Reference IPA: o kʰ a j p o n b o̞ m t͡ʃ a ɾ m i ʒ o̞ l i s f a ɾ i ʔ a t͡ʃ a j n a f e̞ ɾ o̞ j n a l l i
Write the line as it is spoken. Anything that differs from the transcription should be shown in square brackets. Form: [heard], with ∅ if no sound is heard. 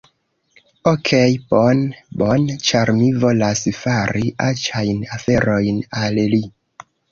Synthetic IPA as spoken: o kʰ [e] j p o n b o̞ [n] t͡ʃ a ɾ m i [v] o̞ l [a] s f a ɾ i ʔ a t͡ʃ a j n a f e̞ ɾ o̞ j n a l l i